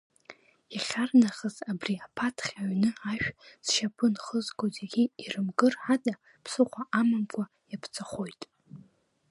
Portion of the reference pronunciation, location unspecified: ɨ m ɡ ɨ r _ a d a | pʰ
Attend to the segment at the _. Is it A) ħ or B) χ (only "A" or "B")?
A